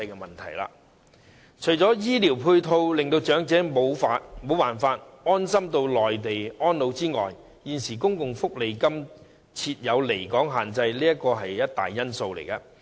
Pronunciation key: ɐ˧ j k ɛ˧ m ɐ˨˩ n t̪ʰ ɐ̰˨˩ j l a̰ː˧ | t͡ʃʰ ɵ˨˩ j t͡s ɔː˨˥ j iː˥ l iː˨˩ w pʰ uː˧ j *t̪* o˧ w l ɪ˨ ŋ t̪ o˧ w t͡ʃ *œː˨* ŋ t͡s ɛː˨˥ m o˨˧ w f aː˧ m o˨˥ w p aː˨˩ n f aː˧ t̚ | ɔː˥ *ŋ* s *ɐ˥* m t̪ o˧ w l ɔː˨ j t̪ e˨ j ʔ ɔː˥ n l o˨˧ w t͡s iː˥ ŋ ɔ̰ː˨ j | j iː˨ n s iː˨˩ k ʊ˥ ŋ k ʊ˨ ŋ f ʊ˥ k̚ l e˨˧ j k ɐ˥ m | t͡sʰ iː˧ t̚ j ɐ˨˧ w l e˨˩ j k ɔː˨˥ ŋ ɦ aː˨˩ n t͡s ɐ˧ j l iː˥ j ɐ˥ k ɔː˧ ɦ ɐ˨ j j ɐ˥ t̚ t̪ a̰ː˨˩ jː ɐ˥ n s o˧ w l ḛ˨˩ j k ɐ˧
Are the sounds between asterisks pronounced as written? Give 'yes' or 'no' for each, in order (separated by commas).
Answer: no, no, no, yes